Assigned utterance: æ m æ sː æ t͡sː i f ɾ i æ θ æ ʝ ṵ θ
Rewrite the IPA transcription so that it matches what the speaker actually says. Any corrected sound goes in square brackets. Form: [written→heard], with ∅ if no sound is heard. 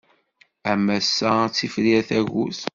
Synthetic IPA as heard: æ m æ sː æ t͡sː i f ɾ i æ θ æ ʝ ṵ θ